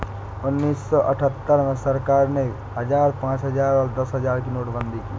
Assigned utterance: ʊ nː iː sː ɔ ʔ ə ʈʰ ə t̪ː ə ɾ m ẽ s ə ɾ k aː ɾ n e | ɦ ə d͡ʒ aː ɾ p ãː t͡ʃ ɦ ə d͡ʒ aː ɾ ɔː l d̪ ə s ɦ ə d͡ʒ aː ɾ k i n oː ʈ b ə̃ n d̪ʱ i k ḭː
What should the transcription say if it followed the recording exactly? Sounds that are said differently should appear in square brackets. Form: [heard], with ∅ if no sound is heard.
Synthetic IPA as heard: ʊ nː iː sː ɔ ʔ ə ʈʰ ə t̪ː ə ɾ m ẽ s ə ɾ k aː ɾ n e | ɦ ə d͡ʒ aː ɾ p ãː t͡ʃ ɦ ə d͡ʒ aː ɾ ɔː [ɾ] d̪ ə s ɦ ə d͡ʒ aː ɾ k i n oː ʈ b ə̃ n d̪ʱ i k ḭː